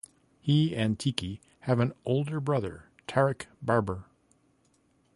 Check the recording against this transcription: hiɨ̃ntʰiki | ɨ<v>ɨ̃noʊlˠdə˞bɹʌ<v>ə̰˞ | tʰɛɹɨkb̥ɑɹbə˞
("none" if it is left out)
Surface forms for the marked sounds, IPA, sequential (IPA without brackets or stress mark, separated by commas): v, ð